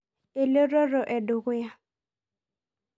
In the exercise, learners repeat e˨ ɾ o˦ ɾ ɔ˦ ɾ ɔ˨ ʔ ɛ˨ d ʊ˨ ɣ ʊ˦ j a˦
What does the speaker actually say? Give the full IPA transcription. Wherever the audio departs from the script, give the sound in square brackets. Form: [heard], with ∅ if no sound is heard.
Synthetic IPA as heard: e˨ [l] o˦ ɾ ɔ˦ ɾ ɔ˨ ʔ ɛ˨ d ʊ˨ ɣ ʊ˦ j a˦